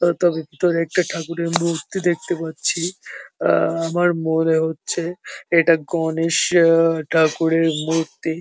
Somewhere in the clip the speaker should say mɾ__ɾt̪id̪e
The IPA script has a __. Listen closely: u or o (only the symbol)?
u